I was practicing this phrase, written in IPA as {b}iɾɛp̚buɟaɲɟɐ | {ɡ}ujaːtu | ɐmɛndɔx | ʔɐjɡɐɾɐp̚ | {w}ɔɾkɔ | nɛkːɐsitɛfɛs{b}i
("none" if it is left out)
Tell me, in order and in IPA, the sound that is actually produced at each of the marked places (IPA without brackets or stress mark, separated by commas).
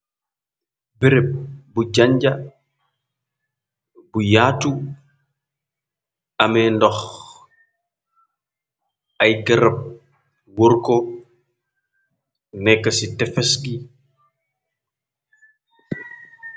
b, b, w, ɡ